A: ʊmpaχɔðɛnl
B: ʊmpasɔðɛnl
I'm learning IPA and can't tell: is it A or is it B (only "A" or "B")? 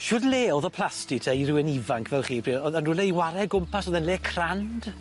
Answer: B